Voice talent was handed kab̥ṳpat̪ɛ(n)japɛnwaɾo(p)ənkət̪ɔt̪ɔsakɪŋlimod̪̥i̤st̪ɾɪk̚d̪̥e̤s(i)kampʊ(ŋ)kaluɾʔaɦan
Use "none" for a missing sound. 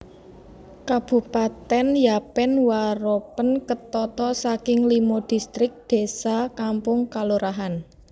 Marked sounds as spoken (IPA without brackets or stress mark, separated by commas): n, p, a, ŋ